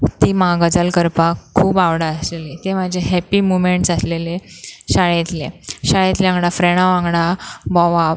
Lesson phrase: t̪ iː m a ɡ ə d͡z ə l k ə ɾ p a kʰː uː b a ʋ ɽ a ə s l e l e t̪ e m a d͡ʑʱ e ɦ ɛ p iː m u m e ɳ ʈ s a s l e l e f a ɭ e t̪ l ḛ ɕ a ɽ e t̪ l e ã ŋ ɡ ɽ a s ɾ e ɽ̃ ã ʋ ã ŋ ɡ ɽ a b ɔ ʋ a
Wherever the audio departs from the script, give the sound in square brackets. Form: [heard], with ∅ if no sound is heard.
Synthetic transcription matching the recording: t̪ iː m a ɡ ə d͡z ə l k ə ɾ p a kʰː uː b a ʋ ɽ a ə s l e l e t̪ e m a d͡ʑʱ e ɦ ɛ p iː m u m e ɳ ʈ s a s l e l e [ɕ] a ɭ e t̪ l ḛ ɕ a [ɭ] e t̪ l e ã ŋ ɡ ɽ a [f] ɾ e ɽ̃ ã ʋ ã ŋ ɡ ɽ a b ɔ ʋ a